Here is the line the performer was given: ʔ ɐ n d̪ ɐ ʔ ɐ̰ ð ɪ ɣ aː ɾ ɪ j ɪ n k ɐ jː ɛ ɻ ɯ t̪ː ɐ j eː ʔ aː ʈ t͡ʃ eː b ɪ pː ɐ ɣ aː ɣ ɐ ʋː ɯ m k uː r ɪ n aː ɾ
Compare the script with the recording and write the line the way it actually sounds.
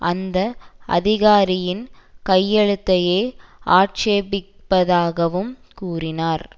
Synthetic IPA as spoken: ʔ ɐ n d̪ ɐ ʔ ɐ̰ ð ɪ ɣ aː ɾ ɪ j ɪ n k ɐ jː ɛ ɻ ɯ t̪ː ɐ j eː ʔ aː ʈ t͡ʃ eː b ɪ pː ɐ ð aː ɣ ɐ ʋ ɯ m k uː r ɪ n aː ɾ

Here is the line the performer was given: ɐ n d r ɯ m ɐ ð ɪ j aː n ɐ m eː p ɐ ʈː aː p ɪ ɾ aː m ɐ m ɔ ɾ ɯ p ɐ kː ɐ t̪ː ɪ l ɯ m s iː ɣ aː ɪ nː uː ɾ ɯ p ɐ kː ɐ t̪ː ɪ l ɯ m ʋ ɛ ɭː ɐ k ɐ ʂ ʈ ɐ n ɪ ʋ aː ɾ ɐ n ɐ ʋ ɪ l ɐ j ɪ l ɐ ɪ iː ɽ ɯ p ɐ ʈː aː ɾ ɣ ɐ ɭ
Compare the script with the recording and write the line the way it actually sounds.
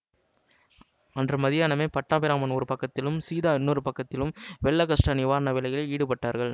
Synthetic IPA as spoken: ɐ n d r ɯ m ɐ ð ɪ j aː n ɐ m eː p ɐ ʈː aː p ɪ ɾ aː m ɐ n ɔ ɾ ɯ p ɐ kː ɐ t̪ː ɪ l ɯ m s iː ð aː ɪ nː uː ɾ ɯ p ɐ kː ɐ t̪ː ɪ l ɯ m ʋ ɛ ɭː ɐ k ɐ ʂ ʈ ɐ n ɪ ʋ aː ɾ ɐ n ɐ ʋ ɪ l ɐ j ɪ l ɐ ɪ iː ɽ ɯ p ɐ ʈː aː ɾ ɣ ɐ ɭ

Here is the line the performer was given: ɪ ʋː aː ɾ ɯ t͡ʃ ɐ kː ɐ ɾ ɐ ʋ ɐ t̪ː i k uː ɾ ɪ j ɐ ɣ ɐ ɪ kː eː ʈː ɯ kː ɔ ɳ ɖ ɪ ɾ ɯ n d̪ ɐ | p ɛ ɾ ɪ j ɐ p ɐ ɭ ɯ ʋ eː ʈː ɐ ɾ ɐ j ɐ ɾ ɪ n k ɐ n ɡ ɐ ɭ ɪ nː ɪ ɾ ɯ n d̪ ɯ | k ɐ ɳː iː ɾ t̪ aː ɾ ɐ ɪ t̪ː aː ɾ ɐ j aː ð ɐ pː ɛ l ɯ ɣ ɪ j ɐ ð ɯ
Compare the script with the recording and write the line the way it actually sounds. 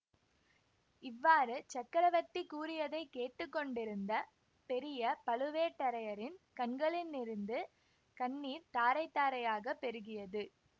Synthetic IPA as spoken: ɪ ʋː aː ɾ ɯ t͡ʃ ɐ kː ɐ ɾ ɐ ʋ ɐ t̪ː i k uː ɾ ɪ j ɐ ð ɐ ɪ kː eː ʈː ɯ kː ɔ ɳ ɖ ɪ ɾ ɯ n d̪ ɐ | p ɛ ɾ ɪ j ɐ p ɐ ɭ ɯ ʋ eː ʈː ɐ ɾ ɐ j ɐ ɾ ɪ n k ɐ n ɡ ɐ ɭ ɪ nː ɪ ɾ ɯ n d̪ ɯ | k ɐ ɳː iː ɾ t̪ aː ɾ ɐ ɪ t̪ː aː ɾ ɐ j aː ɣ ɐ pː ɛ ɾ ɯ ɣ ɪ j ɐ ð ɯ

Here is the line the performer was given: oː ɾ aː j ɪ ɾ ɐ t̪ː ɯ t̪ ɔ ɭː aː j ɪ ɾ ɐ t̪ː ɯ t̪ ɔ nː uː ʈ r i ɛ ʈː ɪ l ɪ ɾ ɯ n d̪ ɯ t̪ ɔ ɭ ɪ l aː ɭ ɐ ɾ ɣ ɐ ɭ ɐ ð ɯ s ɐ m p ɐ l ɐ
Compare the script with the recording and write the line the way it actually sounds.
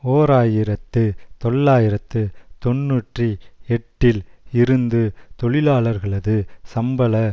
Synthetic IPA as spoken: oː ɾ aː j ɪ ɾ ɐ t̪ː ɯ t̪ ɔ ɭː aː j ɪ ɾ ɐ t̪ː ɯ t̪ ɔ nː uː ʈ r i ɛ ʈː ɪ l ɪ ɾ ɯ n d̪ ɯ t̪ ɔ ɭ ɪ l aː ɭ ɐ ɾ ɣ ɐ ɭ ɐ ð ɯ s ɐ m b ɐ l ɐ

